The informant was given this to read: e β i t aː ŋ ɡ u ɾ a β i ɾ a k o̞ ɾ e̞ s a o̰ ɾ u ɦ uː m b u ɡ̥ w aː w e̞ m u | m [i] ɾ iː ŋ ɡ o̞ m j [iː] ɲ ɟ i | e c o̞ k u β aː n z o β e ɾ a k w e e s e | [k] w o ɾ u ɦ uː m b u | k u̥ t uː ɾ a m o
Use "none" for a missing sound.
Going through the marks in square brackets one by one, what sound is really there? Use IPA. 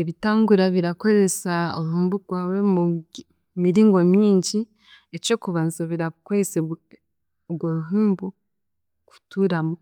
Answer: i, iː, ɡ

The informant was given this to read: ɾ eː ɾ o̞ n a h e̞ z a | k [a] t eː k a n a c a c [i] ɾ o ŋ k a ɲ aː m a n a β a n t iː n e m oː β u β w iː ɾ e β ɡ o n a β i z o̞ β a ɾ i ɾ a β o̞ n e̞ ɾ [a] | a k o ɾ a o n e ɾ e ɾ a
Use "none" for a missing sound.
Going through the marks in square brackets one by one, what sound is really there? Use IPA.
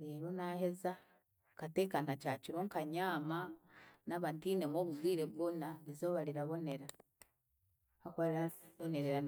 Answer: a, i, a

